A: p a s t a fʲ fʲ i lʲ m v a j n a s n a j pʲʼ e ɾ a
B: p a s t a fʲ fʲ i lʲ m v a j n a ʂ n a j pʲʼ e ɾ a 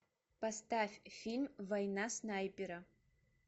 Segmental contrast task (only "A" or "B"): A